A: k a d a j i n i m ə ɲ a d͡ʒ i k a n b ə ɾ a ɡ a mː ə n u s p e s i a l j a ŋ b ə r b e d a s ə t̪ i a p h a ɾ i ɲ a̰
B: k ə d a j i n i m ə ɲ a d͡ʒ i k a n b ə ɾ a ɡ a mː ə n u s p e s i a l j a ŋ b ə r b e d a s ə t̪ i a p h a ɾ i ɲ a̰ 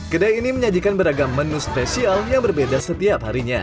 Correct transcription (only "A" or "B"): B